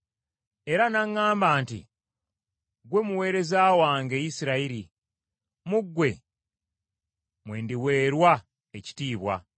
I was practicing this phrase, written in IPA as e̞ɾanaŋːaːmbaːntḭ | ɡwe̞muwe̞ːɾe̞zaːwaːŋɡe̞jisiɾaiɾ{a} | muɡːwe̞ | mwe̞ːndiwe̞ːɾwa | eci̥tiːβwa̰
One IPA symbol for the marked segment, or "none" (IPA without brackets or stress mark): i